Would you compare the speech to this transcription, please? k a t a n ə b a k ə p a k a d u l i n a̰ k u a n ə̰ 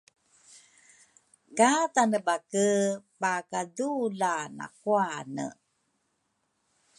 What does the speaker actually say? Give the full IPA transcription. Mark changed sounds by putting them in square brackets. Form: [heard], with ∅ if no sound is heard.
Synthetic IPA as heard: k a t a n ə b a k ə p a k a d u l [a] n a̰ k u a n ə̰